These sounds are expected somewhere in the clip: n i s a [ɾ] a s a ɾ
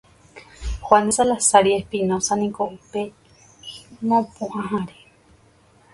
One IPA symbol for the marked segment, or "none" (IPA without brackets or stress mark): l